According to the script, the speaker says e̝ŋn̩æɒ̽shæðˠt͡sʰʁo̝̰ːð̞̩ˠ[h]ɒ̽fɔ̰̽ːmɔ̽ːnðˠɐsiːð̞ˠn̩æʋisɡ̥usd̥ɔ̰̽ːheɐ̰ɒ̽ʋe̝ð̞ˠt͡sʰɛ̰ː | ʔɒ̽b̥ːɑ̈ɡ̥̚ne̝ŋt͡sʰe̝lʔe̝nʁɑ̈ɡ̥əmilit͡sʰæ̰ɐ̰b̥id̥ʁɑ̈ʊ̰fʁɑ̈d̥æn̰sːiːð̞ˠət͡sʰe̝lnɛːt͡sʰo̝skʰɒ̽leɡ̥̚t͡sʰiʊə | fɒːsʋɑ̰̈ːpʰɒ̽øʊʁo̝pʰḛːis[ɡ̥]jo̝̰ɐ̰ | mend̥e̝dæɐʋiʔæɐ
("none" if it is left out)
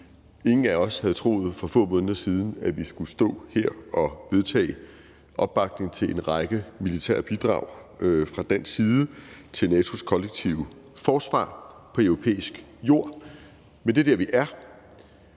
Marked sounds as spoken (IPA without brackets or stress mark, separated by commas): f, ɡ̥